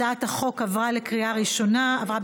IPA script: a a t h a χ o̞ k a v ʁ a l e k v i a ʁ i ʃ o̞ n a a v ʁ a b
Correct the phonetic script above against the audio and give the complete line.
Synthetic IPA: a a t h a χ o̞ k a v ʁ a l e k ʁ i a ʁ i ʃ o̞ n a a v ʁ a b